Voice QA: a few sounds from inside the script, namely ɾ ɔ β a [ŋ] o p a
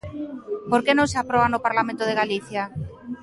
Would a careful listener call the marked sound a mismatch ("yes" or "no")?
yes